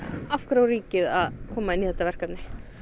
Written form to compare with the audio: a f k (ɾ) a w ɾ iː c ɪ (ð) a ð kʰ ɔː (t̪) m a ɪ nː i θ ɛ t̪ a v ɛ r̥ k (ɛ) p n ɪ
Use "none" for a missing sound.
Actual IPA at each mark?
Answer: ɾ, ð, none, a

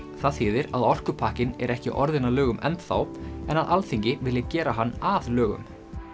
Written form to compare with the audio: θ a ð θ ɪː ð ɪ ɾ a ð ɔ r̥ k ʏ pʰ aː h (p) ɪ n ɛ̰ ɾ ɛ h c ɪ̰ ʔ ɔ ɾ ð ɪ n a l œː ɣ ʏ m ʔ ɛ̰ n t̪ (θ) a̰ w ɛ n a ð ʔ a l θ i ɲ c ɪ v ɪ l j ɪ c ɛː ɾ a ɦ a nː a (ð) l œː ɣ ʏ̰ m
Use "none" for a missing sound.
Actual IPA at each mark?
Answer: c, θ, ð

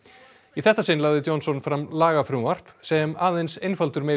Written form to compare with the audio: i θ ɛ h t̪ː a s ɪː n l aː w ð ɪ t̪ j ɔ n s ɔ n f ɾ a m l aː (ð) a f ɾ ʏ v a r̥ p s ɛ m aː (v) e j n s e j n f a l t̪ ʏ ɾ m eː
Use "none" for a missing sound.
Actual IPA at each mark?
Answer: ɣ, ð

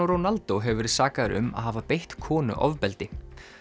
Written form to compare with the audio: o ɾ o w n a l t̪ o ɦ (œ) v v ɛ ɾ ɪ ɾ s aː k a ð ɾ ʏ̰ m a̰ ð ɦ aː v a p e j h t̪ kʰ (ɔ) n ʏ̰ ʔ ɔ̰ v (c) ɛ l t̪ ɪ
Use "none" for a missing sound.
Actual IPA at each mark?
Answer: ɛ, ɔː, p

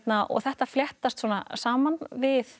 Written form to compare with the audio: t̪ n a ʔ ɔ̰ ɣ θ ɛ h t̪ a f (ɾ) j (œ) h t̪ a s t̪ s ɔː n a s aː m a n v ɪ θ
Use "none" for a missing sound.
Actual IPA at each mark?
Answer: l, ɛ

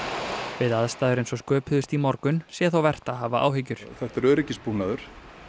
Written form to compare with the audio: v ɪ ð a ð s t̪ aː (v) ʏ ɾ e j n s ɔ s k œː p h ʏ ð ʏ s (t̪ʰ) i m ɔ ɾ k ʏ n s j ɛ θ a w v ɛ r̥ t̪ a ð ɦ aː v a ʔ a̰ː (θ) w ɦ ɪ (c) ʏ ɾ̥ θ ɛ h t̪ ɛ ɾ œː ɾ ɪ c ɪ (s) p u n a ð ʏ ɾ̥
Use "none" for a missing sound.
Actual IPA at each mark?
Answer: ð, t̪, none, c, s

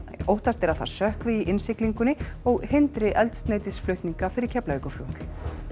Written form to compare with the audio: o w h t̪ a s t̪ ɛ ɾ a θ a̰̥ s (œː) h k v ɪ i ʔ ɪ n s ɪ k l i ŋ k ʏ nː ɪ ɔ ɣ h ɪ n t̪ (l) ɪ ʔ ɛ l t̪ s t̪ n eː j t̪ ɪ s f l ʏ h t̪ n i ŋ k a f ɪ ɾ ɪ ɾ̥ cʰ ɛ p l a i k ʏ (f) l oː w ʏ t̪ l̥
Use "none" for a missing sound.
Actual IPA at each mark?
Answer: œ, ɾ, f

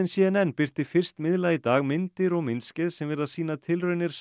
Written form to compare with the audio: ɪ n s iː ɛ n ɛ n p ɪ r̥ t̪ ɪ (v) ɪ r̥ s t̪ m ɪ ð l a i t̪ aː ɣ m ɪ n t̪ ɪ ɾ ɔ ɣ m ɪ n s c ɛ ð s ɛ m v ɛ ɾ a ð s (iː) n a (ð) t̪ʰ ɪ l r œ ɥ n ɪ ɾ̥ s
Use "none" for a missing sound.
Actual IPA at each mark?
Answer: f, iː, ð

